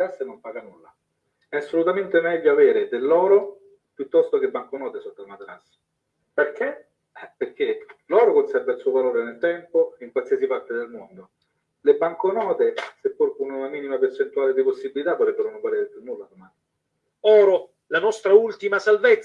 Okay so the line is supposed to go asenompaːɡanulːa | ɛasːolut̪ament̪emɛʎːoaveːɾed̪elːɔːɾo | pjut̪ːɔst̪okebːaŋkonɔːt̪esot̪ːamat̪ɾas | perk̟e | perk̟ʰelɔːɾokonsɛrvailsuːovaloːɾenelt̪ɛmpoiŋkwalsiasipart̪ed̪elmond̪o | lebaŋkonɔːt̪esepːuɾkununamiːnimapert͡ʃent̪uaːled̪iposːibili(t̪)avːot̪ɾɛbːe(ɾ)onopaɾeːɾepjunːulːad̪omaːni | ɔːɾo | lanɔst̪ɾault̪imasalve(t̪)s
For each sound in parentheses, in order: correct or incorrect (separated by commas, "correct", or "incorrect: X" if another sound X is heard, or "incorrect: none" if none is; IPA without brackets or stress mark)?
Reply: correct, correct, correct